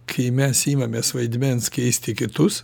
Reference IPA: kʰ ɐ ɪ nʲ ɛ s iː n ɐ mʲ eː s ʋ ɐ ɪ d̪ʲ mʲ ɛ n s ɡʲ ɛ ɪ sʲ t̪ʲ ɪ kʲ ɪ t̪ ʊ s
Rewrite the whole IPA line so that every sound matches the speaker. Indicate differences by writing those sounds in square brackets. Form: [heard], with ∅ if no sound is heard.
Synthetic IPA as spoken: kʰ ɐ ɪ [mʲ] ɛ s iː [m] ɐ mʲ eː s ʋ ɐ ɪ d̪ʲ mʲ ɛ n s [kʲ] ɛ ɪ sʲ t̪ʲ ɪ kʲ ɪ t̪ ʊ s